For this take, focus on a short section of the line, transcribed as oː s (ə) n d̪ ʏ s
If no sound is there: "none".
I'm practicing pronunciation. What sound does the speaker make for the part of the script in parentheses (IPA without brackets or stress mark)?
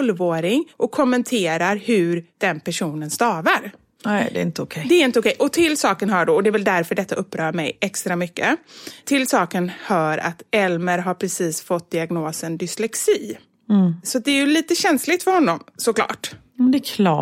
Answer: ə